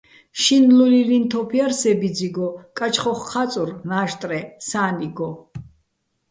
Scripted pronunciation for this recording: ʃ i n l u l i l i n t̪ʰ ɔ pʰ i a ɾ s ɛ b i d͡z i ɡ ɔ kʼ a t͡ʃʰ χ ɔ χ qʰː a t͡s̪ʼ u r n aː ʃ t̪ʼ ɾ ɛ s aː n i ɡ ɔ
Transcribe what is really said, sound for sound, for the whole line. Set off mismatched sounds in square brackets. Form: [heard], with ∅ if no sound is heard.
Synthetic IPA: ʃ i n l u l i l i n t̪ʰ ɔ pʰ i a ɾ s ɛ b i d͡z i ɡ ɔ kʼ a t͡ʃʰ χ ɔ χ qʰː a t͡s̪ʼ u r n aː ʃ t̪ʼ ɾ ɛ s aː n i ɡ ɔ